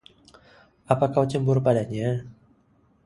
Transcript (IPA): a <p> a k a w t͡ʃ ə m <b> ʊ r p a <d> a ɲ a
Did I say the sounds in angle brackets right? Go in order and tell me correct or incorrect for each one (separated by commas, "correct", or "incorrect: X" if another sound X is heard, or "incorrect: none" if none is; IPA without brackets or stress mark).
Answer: correct, correct, correct